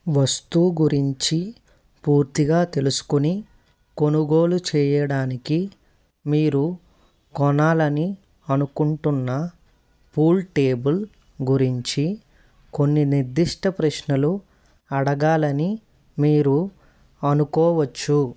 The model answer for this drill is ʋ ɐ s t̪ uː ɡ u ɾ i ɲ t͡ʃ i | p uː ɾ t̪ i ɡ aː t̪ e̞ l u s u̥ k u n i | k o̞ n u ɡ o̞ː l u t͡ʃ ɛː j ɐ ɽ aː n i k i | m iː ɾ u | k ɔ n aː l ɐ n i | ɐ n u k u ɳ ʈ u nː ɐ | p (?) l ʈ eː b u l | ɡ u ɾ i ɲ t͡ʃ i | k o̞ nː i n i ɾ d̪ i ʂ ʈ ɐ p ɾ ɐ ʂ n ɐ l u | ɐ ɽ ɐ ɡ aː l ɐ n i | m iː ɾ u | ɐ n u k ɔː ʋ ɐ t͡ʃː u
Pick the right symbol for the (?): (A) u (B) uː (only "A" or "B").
B